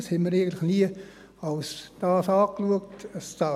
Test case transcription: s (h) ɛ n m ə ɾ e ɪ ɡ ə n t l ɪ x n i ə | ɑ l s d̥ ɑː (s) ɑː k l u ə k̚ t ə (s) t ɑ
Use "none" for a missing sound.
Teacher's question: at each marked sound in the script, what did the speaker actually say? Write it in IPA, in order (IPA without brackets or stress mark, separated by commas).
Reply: h, s, s